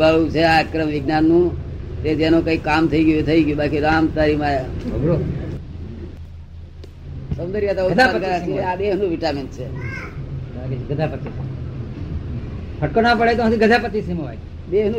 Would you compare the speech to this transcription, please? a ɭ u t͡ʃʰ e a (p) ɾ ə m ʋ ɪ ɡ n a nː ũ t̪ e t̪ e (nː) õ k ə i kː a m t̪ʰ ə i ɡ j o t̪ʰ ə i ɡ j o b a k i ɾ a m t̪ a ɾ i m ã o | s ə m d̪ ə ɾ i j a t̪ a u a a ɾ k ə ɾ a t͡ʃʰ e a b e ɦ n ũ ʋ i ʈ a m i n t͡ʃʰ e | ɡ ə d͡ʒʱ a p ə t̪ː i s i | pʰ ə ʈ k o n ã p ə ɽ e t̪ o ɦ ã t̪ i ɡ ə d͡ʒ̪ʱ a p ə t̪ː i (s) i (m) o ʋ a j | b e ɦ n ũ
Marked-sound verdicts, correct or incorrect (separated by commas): incorrect, incorrect, correct, correct